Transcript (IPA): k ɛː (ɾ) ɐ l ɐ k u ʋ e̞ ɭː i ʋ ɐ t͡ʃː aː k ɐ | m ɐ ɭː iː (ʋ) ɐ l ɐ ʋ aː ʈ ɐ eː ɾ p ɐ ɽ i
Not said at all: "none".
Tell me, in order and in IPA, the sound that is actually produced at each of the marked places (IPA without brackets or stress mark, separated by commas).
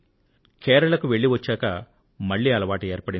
ɾ, none